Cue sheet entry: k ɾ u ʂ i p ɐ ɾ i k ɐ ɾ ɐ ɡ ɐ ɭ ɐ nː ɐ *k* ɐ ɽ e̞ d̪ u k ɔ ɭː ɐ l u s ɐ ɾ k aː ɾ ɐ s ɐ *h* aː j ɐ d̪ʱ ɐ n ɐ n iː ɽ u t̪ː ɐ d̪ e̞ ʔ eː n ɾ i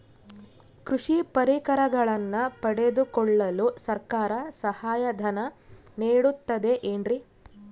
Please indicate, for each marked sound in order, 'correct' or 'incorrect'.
incorrect: p, correct

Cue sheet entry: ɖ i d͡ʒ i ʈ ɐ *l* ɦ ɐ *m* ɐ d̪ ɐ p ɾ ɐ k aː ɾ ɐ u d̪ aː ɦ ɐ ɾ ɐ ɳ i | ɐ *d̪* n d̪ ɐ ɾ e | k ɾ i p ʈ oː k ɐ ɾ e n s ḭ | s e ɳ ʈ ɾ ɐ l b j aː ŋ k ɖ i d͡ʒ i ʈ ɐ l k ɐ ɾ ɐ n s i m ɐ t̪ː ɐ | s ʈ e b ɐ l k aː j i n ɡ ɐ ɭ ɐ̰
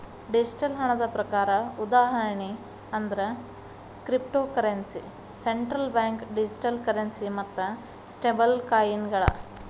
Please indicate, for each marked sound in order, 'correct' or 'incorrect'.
correct, incorrect: ɳ, incorrect: none

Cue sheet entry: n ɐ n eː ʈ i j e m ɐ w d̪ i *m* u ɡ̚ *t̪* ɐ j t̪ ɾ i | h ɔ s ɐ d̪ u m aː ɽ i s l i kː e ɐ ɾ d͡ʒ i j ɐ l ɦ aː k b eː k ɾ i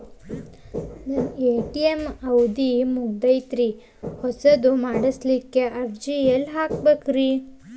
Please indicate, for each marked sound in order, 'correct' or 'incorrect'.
correct, incorrect: d̪

